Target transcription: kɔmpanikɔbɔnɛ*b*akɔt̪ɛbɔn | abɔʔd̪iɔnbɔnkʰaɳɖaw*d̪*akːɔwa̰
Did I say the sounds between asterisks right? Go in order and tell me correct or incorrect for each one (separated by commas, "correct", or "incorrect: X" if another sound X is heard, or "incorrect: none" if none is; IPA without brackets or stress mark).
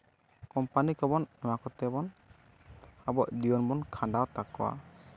incorrect: m, incorrect: t̪